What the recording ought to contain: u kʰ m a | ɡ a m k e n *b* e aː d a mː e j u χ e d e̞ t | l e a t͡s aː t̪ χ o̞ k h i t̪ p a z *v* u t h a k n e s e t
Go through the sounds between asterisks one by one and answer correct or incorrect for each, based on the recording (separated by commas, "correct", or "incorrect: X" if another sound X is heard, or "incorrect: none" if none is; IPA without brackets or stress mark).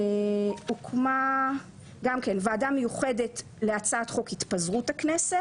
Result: incorrect: v, incorrect: ʁ